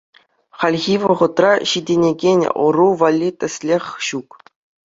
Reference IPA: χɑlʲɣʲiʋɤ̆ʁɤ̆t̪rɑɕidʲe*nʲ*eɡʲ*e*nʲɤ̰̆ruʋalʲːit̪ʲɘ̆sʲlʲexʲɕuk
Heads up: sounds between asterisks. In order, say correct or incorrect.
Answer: correct, correct

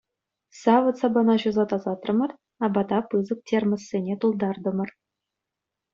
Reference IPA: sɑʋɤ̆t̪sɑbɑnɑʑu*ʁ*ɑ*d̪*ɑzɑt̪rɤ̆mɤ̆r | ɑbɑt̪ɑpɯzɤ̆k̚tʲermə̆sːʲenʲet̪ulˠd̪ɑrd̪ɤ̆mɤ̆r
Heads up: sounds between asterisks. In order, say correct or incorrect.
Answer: incorrect: z, incorrect: t̪

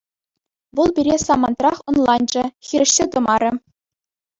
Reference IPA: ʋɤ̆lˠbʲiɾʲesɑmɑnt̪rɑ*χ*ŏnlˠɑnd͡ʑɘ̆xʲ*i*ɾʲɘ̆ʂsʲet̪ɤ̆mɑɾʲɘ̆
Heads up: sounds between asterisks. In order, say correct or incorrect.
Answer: correct, correct

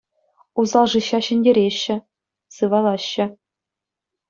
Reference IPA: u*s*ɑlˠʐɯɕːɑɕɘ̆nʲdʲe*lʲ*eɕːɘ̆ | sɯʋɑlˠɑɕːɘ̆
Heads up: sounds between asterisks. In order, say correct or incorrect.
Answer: incorrect: z, incorrect: ɾʲ

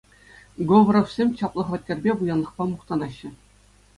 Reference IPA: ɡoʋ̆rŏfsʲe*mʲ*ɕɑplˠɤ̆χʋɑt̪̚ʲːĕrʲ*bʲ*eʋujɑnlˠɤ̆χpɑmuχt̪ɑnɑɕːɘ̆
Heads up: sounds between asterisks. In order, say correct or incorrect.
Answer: correct, correct

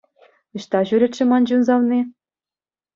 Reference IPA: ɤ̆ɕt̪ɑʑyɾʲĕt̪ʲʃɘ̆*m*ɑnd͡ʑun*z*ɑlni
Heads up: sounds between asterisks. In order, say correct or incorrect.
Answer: correct, correct

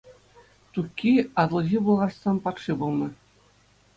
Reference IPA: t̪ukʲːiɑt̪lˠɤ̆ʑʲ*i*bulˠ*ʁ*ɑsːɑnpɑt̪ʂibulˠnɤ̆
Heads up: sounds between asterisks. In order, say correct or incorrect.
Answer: correct, correct

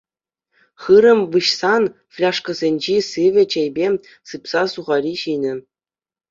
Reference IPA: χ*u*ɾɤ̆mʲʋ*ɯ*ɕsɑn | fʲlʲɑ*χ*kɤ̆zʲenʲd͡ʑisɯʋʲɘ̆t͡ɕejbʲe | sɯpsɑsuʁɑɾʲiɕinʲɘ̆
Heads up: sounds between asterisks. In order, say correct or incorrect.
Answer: incorrect: ɯ, correct, incorrect: ʂ

